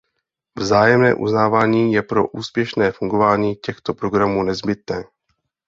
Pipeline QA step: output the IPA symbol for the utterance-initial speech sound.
v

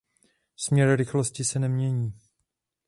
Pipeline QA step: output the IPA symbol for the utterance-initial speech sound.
s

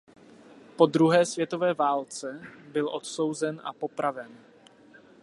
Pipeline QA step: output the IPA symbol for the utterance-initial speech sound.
p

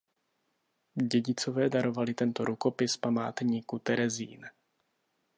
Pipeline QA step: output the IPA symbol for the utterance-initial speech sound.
ɟ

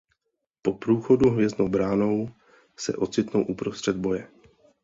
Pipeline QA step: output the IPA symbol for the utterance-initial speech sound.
p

